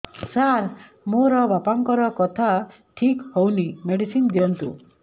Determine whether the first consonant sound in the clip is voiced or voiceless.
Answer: voiceless